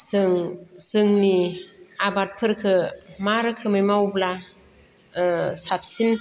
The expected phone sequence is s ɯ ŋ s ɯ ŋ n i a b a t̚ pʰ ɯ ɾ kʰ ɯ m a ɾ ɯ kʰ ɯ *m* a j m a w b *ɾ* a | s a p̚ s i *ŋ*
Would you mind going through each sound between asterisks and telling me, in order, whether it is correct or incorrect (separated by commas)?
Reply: correct, incorrect, incorrect